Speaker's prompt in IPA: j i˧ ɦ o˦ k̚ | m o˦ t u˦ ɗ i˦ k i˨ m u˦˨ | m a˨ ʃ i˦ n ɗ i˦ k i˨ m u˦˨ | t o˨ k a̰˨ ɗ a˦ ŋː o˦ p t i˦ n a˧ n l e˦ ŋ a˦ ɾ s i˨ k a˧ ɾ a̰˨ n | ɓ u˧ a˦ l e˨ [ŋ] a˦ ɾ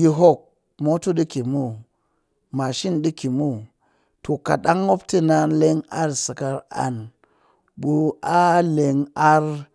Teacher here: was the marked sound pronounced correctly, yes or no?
yes